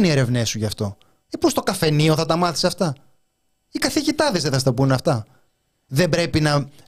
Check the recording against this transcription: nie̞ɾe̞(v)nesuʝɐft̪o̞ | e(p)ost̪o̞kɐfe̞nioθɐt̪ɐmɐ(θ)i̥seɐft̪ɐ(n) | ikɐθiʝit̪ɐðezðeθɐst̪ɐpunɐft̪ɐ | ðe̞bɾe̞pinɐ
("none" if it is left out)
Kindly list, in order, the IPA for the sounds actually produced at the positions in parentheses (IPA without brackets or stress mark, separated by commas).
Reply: v, p, θ, none